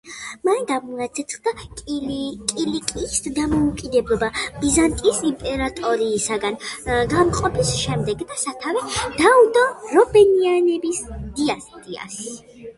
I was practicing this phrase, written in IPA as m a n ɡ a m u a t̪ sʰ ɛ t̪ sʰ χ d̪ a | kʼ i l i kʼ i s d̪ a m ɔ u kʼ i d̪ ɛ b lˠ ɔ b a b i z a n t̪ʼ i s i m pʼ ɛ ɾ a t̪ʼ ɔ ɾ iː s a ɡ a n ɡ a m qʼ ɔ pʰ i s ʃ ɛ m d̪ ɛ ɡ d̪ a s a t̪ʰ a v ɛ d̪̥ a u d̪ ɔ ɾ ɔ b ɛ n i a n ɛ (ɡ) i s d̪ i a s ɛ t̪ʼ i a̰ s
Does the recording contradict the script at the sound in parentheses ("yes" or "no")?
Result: yes